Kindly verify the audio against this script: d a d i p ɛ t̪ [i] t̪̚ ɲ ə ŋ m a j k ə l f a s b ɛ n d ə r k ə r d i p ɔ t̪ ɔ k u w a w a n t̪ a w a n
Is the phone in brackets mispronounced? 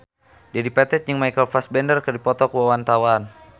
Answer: yes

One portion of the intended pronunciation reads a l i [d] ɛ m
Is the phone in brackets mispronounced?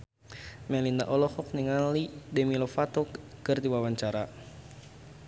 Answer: no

